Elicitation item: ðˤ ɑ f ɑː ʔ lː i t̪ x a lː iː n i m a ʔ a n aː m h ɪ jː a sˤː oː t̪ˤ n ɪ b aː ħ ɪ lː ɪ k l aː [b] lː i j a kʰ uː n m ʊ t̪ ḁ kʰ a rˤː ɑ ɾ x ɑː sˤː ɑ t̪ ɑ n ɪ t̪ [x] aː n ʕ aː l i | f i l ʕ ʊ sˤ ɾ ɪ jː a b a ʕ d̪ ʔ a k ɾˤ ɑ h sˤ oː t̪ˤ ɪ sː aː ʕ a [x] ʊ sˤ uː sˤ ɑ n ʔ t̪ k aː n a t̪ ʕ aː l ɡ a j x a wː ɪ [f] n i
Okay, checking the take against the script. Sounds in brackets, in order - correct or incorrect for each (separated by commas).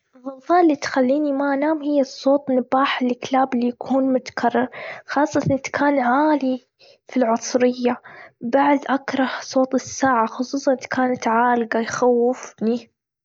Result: correct, incorrect, correct, correct